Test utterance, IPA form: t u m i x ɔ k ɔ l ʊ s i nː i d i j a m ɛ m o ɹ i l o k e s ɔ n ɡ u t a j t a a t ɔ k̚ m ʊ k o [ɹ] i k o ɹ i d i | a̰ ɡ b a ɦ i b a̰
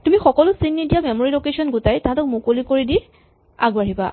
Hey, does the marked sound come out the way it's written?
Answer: no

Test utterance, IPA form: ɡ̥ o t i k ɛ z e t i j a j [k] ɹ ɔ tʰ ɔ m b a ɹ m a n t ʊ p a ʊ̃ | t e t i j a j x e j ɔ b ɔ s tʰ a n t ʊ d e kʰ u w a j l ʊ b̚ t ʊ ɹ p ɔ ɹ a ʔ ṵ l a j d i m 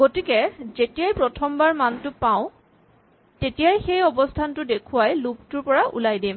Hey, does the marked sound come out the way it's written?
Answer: no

